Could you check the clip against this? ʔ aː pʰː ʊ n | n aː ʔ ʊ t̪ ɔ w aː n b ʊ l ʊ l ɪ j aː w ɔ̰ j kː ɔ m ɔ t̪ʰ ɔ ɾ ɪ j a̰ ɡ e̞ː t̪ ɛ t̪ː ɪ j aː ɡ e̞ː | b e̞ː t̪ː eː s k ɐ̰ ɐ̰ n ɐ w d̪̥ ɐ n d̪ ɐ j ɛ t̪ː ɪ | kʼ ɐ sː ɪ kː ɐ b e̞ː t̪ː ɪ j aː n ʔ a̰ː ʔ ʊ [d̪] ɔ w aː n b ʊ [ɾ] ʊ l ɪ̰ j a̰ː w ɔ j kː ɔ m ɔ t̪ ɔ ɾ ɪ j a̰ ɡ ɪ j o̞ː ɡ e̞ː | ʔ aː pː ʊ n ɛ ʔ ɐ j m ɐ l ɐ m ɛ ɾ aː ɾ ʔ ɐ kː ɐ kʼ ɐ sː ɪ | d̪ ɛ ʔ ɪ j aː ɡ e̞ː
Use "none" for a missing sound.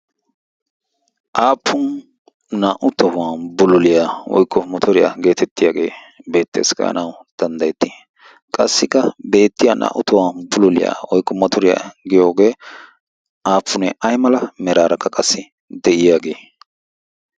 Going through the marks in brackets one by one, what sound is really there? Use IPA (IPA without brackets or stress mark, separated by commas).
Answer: t̪, l